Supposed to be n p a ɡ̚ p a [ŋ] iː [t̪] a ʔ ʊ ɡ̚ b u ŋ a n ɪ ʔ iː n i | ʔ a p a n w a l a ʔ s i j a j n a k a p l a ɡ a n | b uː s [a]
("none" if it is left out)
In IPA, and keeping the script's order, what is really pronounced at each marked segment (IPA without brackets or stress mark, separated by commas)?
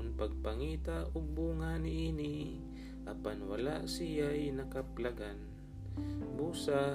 ŋ, t̪, a